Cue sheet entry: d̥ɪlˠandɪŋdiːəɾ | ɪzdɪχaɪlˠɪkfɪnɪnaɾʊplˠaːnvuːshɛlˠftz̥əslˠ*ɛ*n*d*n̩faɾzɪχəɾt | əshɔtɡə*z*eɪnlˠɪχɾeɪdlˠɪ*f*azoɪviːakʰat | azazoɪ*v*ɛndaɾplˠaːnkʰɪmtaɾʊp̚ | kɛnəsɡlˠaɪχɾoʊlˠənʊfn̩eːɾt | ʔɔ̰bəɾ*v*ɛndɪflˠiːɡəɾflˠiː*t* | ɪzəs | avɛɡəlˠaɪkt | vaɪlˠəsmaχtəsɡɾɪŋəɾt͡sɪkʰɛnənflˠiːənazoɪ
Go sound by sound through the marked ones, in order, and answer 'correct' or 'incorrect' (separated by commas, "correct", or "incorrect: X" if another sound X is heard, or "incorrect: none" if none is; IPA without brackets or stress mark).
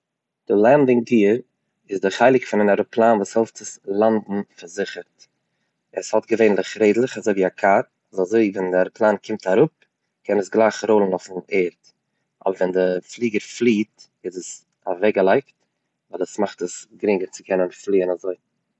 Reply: incorrect: a, correct, incorrect: v, incorrect: χ, correct, correct, correct